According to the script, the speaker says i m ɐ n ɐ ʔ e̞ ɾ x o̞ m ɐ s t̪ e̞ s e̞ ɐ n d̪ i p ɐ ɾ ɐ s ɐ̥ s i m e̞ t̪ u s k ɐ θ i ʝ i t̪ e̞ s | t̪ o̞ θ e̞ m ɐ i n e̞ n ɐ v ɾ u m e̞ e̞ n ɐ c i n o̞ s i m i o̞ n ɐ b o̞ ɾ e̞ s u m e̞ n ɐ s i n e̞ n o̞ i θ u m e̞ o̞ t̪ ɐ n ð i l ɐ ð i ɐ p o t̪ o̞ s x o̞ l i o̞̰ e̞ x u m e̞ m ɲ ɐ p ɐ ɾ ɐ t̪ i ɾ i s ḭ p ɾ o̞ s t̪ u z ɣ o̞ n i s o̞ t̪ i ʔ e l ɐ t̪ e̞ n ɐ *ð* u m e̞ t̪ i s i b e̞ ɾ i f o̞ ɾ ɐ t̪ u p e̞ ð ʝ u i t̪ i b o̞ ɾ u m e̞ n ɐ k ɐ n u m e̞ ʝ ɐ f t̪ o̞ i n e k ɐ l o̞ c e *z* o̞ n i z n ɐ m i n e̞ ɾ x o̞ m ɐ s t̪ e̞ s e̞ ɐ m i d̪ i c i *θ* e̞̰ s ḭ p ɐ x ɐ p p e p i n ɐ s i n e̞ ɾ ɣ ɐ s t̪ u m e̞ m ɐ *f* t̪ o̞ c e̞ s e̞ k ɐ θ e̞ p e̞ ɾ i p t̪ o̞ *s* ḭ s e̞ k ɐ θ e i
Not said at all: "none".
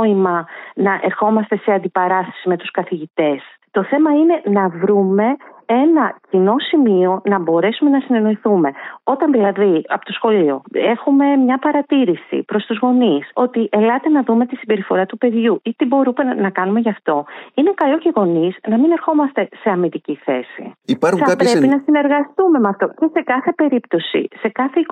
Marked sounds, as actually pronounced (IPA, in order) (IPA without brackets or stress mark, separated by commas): ð, ɣ, θ, f, s